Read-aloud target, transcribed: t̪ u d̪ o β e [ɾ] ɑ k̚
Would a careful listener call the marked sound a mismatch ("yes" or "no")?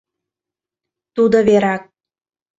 no